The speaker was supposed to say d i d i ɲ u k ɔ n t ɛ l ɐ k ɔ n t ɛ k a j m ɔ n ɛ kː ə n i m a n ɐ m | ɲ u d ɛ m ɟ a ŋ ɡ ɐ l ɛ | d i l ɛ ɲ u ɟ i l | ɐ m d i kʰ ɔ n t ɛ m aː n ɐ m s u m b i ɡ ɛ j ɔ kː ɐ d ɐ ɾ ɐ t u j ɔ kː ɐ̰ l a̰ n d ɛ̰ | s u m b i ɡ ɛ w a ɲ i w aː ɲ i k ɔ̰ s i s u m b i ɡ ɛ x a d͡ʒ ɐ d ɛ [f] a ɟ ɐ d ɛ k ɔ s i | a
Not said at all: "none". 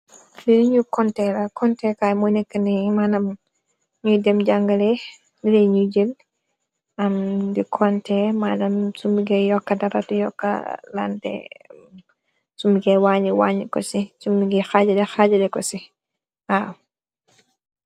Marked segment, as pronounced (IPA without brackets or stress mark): x